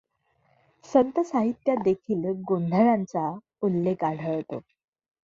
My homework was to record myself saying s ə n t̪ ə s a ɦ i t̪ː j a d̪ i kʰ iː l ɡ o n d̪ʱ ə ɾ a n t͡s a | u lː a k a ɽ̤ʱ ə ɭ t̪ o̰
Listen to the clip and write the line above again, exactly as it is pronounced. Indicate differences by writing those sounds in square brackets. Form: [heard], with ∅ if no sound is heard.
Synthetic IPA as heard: s ə n t̪ ə s a ɦ i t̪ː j a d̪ [e] kʰ iː l ɡ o n d̪ʱ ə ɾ a n t͡s a | u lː [e] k a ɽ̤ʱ ə ɭ t̪ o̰